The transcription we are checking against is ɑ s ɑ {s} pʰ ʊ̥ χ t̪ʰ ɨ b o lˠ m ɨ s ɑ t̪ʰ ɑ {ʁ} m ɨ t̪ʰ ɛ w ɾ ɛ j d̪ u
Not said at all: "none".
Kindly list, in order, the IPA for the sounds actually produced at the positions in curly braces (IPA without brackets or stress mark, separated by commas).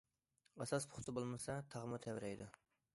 s, ʁ